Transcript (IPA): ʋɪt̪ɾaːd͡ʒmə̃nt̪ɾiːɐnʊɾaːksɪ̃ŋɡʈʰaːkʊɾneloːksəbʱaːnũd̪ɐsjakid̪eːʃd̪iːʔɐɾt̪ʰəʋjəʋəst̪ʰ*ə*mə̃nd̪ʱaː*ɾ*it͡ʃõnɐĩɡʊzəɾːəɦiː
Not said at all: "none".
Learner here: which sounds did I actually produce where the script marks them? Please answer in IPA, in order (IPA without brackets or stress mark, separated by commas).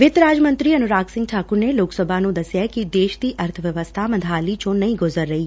a, l